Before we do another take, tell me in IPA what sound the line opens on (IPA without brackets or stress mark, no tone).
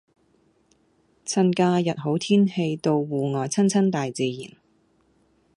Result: t͡sʰ